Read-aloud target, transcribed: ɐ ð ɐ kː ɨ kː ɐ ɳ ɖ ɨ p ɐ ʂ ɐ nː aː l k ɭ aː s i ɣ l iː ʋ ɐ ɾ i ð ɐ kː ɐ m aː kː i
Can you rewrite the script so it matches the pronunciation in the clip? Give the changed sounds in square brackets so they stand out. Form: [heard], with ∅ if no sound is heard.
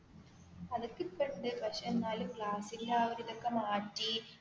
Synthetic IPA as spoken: ɐ ð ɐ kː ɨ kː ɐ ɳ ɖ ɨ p ɐ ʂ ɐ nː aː l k ɭ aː s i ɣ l [aː] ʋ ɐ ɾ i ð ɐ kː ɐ m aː [ʈː] i